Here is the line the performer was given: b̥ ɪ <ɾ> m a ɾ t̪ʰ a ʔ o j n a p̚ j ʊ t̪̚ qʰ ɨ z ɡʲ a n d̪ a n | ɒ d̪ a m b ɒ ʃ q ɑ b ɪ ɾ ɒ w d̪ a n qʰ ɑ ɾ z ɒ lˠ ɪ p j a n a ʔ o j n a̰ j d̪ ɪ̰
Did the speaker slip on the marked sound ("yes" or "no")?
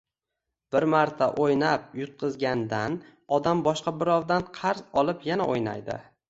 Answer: no